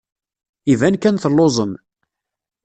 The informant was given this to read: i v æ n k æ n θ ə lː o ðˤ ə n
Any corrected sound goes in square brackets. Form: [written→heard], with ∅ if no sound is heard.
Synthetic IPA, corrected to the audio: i v æ n k æ n θ ə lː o [ðˤ→zˤ] ə [n→m]